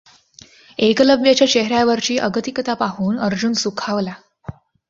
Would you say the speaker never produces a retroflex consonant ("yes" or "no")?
yes